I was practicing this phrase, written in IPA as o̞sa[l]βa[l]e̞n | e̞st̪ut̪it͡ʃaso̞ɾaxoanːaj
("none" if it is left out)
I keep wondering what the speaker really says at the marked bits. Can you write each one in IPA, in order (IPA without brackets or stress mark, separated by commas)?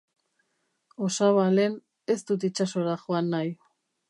none, l